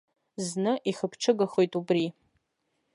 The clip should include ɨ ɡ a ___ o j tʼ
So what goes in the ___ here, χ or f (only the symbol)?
χ